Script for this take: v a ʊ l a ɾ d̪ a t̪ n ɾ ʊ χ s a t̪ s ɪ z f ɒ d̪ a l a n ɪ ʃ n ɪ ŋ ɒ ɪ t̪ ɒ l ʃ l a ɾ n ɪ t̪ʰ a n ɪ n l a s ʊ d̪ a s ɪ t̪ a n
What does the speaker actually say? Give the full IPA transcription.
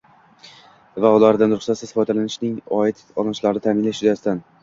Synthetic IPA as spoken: v a ʊ l a ɾ d̪ a n ɾ ʊ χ s a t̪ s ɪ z f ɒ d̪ a l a n ɪ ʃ n ɪ ŋ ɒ ɪ t̪ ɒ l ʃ l a ɾ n ɪ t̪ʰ a m ɪ n l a ʃ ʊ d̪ a s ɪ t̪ a n